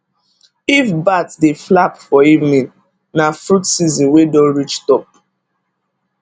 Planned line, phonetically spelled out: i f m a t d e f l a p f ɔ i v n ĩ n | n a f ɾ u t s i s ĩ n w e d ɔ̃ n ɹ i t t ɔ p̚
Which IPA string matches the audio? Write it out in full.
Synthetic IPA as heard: i f b a t d e f l a p f ɔ i v n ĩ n | n a f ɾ u t s i z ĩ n w e d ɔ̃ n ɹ i t͡ʃ t ɔ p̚